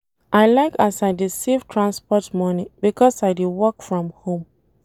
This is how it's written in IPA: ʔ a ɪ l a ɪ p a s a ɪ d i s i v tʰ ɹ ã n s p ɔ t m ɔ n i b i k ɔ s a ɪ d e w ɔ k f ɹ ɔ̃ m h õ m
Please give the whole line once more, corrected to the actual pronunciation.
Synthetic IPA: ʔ a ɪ l a ɪ k a s a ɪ d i s i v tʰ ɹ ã n s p ɔ t m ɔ n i b i k ɔ s a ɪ d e w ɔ k f ɹ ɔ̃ m h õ m